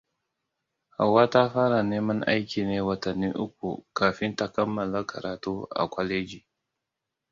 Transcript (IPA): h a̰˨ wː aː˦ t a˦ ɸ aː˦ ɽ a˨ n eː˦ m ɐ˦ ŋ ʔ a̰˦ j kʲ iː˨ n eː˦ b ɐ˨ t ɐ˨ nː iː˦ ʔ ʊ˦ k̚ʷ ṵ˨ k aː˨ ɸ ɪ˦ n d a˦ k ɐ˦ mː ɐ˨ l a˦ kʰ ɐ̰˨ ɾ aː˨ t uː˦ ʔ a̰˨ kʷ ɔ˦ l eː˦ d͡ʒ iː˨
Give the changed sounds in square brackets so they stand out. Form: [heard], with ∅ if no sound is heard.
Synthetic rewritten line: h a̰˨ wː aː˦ t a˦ ɸ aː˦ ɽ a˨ n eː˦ m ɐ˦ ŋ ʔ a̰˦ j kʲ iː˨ n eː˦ [w] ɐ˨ t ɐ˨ nː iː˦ ʔ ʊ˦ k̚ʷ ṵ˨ k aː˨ ɸ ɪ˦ n [t] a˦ k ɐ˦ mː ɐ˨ l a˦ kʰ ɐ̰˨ ɾ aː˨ t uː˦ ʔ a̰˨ kʷ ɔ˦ l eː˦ d͡ʒ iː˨

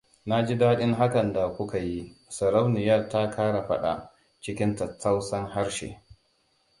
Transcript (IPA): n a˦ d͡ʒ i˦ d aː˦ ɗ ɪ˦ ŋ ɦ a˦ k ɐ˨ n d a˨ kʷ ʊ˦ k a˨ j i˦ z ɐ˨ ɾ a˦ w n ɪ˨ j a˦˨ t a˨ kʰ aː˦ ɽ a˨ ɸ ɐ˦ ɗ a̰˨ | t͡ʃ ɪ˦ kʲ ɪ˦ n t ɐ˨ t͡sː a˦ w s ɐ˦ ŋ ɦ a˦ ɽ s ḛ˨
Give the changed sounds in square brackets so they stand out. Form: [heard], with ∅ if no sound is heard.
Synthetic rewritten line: n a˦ d͡ʒ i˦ d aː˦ ɗ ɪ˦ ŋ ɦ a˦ k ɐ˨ n d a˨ kʷ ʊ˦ k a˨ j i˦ [s] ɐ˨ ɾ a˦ w n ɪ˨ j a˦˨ t [a˦] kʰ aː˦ ɽ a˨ ɸ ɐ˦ ɗ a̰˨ | t͡ʃ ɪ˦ kʲ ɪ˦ n t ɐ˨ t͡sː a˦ w s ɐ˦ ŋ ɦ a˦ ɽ [ʃ] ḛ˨

